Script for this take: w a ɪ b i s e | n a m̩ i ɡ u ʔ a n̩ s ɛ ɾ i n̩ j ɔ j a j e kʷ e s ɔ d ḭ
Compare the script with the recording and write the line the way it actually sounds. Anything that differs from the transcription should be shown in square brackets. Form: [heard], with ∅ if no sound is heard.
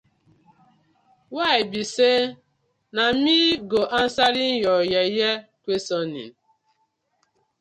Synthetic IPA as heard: w a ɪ b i s e | n a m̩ i ɡ [o] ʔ a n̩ s [a] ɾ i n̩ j ɔ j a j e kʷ e s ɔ [n] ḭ